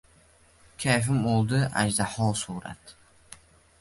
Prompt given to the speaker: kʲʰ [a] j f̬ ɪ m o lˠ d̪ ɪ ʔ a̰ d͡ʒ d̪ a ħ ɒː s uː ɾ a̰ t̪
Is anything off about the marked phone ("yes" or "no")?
no